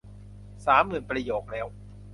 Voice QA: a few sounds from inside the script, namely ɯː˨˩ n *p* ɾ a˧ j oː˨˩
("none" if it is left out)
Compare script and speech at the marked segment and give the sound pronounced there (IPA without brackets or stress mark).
p